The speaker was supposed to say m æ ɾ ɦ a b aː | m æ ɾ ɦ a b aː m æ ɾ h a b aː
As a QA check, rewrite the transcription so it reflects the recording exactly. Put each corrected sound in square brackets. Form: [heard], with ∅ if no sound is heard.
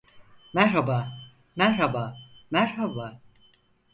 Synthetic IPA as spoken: m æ ɾ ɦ a b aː | m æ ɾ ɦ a b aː m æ ɾ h a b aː